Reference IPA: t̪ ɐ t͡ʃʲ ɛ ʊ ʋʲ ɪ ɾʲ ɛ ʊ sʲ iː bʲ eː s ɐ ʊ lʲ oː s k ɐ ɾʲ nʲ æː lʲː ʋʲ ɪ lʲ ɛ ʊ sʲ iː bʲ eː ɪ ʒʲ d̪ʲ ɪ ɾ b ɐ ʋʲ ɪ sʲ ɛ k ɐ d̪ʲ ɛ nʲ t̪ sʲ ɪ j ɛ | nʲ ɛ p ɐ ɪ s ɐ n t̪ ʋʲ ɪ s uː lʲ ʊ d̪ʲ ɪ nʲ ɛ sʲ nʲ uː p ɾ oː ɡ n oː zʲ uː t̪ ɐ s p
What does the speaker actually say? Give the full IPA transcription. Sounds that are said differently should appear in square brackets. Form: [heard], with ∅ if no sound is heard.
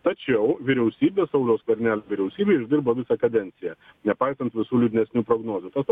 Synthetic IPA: t̪ ɐ t͡ʃʲ ɛ ʊ ʋʲ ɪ ɾʲ ɛ ʊ sʲ iː bʲ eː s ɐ ʊ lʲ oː s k ɐ ɾʲ nʲ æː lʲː ʋʲ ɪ [ɾʲ] ɛ ʊ sʲ iː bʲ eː ɪ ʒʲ d̪ʲ ɪ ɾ b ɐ ʋʲ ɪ sʲ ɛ k ɐ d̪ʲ ɛ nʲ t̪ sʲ ɪ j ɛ | nʲ ɛ p ɐ ɪ s ɐ n t̪ ʋʲ ɪ s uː lʲ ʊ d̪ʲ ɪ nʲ ɛ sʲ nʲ uː p ɾ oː ɡ n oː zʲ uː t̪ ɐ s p

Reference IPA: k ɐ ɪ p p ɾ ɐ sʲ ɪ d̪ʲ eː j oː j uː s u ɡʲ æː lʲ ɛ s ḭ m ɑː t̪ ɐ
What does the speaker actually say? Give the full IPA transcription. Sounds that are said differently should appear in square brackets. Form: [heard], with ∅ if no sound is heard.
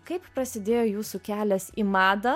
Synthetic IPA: k ɐ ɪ p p ɾ ɐ sʲ ɪ d̪ʲ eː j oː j uː s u [kʲ] æː lʲ ɛ s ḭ m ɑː [d̪] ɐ

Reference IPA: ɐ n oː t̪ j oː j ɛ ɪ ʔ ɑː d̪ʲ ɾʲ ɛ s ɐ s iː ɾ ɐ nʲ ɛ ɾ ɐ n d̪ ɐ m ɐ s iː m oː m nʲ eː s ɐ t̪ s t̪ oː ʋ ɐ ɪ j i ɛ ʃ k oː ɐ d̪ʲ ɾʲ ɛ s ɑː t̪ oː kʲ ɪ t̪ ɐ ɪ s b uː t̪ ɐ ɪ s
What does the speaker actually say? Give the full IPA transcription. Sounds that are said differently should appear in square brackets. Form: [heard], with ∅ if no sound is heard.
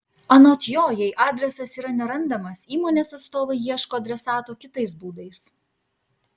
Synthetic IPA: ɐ n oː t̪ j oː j ɛ ɪ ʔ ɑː d̪ʲ ɾʲ ɛ s ɐ s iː ɾ ɐ nʲ ɛ ɾ ɐ n d̪ ɐ m ɐ s iː m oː [∅] nʲ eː s ɐ t̪ s t̪ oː ʋ ɐ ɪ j i ɛ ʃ k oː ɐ d̪ʲ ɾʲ ɛ s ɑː t̪ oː kʲ ɪ t̪ ɐ ɪ s b uː [d̪] ɐ ɪ s

